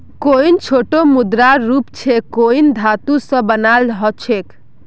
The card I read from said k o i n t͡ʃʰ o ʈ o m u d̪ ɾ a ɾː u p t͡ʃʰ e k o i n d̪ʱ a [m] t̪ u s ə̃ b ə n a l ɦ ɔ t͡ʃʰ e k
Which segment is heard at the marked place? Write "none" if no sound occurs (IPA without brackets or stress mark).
none